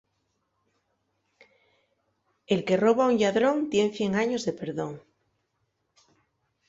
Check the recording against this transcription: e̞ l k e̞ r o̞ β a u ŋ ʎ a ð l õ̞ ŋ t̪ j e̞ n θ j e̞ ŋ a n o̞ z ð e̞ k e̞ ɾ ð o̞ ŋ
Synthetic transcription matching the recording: e̞ l k e̞ r o̞ β a u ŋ ʎ a ð ɾ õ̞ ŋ t̪ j e̞ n θ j e̞ ŋ a ɲ o̞ z ð e̞ p e̞ ɾ ð o̞ ŋ